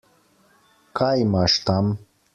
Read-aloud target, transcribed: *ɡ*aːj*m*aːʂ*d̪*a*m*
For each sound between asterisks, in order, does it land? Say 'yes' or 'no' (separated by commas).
no, yes, no, yes